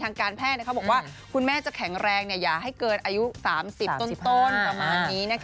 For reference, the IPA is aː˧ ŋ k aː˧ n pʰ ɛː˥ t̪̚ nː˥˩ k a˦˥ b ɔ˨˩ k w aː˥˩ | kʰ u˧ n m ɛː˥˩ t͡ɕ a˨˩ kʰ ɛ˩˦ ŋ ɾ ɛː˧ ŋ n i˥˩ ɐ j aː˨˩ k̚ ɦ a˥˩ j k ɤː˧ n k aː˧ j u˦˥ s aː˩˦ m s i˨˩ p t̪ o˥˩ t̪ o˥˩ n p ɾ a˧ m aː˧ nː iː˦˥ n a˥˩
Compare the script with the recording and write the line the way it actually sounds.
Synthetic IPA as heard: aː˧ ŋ k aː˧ n pʰ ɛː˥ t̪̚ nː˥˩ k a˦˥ b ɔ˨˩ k w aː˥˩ | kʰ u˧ n m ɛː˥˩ t͡ɕ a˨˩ kʰ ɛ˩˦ ŋ ɾ ɛː˧ ŋ n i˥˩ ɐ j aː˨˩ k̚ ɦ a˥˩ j k ɤː˧ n ʔ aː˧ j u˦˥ s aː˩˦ m s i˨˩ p t̪ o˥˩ t̪ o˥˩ n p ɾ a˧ m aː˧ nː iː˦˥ n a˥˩